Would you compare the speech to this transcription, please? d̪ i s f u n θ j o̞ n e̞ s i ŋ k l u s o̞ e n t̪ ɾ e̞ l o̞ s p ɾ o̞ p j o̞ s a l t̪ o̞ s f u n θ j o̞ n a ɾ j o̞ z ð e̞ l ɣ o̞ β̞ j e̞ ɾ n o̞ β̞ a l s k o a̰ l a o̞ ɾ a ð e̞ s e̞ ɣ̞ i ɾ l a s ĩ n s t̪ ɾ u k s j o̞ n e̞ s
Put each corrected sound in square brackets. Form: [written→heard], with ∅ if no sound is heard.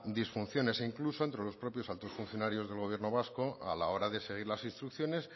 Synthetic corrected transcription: d̪ i s f u n θ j o̞ n e̞ s i ŋ k l u s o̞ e n t̪ ɾ e̞ l o̞ s p ɾ o̞ p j o̞ s a l t̪ o̞ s f u n θ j o̞ n a ɾ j o̞ z ð e̞ l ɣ o̞ β̞ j e̞ ɾ n o̞ β̞ a [l→∅] s k o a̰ l a o̞ ɾ a ð e̞ s e̞ ɣ̞ i ɾ l a s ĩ n s t̪ ɾ u k [s→θ] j o̞ n e̞ s